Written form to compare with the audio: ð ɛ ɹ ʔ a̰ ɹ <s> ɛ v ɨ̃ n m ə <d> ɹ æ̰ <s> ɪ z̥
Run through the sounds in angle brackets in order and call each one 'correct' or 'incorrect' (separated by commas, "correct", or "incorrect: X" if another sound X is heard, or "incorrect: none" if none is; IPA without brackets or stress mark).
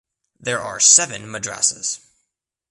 correct, correct, correct